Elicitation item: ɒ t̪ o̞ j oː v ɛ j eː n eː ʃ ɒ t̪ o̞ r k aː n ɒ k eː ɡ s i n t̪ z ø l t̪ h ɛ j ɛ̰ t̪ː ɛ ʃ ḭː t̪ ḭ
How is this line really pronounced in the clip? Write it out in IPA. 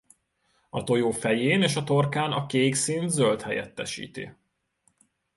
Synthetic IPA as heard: ɒ t̪ o̞ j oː f ɛ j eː n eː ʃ ɒ t̪ o̞ r k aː n ɒ k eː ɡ s i n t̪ z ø l t̪ h ɛ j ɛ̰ t̪ː ɛ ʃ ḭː t̪ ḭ